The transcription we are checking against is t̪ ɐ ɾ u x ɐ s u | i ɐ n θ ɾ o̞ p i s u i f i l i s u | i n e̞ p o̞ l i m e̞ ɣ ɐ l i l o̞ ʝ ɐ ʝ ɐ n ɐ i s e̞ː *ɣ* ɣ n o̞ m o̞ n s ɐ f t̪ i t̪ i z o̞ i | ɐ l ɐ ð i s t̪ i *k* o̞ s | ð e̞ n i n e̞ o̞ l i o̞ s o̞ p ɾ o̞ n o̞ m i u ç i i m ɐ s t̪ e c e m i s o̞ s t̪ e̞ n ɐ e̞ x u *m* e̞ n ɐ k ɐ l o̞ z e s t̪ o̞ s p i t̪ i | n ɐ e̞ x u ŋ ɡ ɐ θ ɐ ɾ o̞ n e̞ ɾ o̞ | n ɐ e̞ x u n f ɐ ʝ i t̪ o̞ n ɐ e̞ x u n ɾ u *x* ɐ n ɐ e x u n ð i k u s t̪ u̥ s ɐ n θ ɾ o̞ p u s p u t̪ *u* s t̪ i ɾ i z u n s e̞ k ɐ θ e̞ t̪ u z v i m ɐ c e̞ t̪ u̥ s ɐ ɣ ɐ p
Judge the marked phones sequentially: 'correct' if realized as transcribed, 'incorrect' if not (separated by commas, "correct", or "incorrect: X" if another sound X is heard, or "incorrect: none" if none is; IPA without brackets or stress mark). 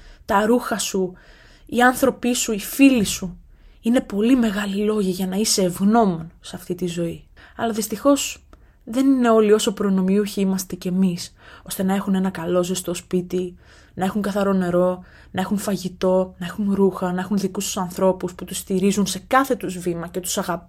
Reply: incorrect: v, incorrect: x, incorrect: n, correct, correct